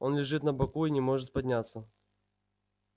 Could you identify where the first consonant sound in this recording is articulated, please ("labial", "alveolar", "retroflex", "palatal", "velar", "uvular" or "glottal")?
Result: alveolar